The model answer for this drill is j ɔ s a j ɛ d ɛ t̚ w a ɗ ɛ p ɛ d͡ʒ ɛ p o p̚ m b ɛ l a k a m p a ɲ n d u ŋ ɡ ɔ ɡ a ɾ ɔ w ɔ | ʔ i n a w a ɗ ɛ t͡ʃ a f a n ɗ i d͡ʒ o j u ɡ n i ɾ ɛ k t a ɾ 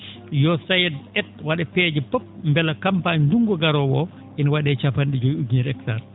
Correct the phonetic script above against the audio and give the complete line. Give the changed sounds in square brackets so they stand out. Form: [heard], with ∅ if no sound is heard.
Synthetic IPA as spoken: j ɔ s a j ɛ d ɛ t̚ w a ɗ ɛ p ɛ d͡ʒ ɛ p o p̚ m b ɛ l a k a m p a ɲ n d u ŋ ɡ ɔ ɡ a ɾ ɔ w ɔ | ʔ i n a w a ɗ ɛ t͡ʃ a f a n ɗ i d͡ʒ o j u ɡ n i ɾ ɛ k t a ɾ